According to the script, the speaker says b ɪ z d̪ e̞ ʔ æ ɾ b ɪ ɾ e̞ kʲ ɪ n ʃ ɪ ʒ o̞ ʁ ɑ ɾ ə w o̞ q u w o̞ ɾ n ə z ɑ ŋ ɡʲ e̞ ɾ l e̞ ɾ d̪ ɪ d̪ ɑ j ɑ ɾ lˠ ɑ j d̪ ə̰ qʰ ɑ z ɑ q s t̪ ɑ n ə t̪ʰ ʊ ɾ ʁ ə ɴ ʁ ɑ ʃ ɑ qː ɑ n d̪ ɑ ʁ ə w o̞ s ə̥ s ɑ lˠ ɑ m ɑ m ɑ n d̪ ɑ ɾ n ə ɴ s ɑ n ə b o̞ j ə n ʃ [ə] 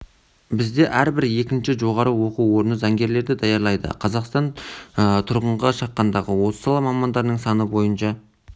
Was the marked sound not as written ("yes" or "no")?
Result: yes